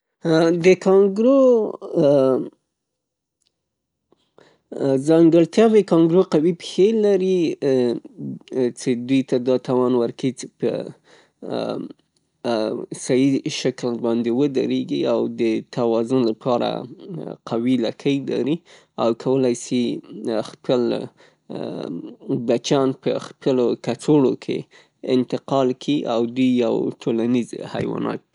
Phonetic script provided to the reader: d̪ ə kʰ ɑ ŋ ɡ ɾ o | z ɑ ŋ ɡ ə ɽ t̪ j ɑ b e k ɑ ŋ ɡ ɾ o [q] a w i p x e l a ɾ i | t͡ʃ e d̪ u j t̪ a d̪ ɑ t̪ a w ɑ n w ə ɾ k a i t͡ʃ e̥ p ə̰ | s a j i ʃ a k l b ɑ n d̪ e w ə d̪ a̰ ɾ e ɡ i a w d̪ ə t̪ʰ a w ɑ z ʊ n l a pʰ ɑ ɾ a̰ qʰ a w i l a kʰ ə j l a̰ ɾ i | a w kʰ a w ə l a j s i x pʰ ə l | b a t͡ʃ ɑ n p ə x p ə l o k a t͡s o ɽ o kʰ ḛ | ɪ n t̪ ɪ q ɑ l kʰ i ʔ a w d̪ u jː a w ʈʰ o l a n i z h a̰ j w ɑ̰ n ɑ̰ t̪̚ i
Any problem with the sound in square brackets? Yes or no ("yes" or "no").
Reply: no